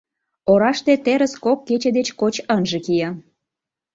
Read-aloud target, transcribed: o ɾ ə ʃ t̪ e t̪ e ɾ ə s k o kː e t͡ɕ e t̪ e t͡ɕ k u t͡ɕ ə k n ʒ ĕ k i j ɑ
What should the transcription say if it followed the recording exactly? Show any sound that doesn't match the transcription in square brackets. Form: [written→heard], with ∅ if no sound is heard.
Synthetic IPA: o ɾ [ə→ɑ] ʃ t̪ e t̪ e ɾ ə s k o kː e t͡ɕ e [t̪→d̪] e t͡ɕ k [u→o] t͡ɕ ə [k→∅] n ʒ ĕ k i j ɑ